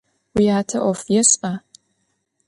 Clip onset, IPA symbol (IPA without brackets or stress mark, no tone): w